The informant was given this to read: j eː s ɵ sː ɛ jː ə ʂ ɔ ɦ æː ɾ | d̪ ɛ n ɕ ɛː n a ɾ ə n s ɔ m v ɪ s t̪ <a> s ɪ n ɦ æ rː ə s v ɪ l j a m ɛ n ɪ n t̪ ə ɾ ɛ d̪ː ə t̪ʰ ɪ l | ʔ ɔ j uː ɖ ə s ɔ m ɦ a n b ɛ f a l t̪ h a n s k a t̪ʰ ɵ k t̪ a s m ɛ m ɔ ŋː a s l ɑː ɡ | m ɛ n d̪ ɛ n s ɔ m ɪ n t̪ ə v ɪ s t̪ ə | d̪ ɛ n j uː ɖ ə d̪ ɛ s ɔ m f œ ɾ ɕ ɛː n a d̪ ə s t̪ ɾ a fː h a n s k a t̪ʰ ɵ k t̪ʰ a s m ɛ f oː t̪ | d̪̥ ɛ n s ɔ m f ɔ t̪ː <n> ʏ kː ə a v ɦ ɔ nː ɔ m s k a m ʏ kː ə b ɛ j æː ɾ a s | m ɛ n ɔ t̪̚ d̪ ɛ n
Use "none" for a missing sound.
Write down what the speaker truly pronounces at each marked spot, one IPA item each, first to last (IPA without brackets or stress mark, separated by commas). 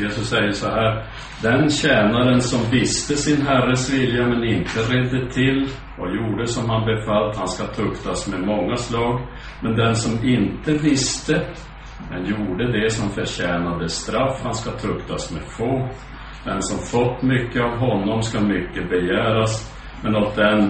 ə, m